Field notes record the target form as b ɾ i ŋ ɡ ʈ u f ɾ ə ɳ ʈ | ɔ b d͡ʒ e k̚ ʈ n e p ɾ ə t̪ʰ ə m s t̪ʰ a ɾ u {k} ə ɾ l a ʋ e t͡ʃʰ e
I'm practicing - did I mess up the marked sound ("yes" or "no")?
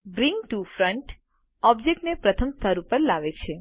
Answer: yes